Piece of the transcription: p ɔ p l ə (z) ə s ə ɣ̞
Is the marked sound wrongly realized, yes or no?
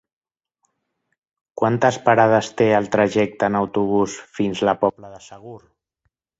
yes